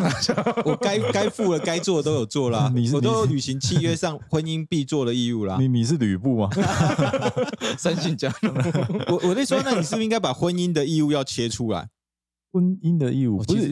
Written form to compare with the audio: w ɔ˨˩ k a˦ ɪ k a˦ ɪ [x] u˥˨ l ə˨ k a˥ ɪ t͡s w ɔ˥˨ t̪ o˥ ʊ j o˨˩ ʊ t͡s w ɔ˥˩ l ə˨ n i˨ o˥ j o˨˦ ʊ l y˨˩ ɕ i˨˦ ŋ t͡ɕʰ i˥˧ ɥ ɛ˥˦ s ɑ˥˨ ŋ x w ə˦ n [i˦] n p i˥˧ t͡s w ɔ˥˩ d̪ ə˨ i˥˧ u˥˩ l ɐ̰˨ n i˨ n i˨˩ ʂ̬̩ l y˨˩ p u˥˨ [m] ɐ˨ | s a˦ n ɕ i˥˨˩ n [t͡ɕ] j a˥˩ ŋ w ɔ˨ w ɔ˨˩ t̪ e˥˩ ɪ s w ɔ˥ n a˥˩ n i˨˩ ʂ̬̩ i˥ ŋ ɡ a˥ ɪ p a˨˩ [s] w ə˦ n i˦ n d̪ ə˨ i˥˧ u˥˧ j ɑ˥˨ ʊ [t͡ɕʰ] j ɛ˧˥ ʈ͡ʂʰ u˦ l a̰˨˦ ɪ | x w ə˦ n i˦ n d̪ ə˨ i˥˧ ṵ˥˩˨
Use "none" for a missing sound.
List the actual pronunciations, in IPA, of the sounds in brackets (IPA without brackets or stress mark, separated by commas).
f, i˦, m, t͡ɕ, x, t͡ɕʰ